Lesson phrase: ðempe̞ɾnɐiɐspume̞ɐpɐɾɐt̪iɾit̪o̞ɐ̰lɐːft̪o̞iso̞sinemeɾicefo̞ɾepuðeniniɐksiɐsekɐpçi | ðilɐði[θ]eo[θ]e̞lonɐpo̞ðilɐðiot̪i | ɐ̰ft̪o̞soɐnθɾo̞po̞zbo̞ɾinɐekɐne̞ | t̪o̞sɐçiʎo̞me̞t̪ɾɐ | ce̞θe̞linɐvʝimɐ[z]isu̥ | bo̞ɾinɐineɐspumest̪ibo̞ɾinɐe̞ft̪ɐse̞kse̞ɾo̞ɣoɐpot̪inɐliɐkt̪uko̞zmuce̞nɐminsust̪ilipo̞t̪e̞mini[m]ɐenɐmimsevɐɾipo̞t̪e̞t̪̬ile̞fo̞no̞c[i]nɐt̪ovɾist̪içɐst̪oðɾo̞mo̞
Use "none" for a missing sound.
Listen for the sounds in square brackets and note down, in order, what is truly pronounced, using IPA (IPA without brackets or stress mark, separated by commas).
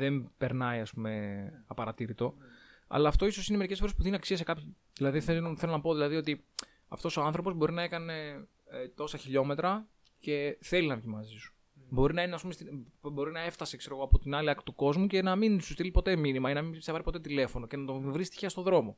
θ, θ, z, m, e